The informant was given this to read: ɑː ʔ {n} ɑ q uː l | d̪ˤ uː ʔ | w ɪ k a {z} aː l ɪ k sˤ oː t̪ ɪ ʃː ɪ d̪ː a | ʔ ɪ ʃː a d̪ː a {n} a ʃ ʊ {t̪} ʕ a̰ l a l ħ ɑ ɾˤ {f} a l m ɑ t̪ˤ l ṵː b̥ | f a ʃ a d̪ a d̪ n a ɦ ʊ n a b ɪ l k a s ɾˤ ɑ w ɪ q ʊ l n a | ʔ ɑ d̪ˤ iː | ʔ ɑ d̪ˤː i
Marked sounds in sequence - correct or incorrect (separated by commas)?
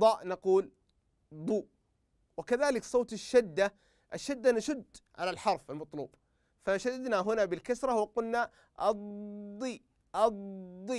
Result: correct, incorrect, correct, incorrect, correct